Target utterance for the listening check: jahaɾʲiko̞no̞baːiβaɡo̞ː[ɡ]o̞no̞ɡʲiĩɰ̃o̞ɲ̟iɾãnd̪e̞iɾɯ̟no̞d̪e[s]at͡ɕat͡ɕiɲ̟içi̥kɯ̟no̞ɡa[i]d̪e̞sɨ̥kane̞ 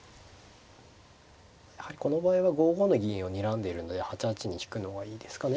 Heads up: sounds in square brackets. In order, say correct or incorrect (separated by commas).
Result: correct, incorrect, incorrect